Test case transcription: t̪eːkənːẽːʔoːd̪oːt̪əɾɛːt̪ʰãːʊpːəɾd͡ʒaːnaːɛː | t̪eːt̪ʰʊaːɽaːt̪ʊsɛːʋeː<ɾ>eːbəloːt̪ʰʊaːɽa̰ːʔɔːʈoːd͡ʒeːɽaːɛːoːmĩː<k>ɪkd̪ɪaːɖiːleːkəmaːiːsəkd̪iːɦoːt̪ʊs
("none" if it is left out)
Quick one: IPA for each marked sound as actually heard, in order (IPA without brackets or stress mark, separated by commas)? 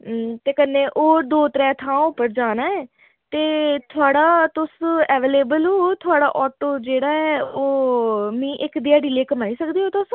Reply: l, ʔ